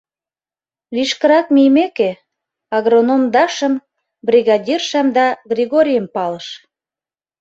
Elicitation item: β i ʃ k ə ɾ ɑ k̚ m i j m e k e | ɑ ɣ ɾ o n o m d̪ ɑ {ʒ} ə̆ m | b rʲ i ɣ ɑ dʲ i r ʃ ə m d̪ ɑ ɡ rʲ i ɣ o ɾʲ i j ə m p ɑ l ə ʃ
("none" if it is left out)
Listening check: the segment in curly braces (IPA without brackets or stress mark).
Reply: ʃ